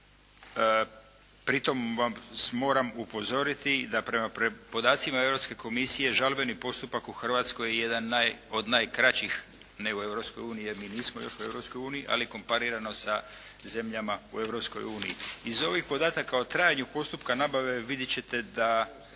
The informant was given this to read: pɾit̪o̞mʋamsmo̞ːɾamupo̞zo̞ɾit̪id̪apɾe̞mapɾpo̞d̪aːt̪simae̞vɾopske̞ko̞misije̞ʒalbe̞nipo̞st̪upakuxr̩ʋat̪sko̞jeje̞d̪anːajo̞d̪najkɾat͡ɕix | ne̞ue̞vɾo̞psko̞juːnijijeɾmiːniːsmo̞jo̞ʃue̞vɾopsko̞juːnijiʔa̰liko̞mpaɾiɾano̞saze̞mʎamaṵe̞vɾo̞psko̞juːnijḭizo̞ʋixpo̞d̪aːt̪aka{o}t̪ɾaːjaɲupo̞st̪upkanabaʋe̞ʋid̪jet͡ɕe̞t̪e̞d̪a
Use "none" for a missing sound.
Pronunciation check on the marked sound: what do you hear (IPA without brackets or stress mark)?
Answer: o